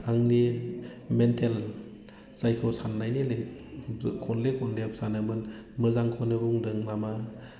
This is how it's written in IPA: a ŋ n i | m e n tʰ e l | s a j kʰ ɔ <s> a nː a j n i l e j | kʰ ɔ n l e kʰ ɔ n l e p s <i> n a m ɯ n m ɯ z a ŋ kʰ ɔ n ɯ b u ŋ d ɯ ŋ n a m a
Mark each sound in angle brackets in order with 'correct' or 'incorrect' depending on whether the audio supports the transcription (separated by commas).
correct, incorrect